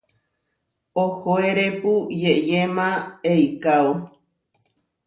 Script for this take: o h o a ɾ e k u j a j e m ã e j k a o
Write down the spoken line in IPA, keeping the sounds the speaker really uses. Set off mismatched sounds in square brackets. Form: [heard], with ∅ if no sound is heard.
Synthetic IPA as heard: o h o [e] ɾ e [p] u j [e] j e m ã e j k a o